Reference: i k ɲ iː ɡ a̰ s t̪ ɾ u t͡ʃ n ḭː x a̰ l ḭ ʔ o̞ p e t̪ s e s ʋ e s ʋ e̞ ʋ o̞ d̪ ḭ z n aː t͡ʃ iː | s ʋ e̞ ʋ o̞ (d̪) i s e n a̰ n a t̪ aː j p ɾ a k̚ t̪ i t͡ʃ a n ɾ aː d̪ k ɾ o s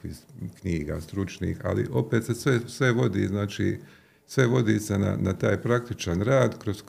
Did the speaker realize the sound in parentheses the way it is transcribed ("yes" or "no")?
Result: yes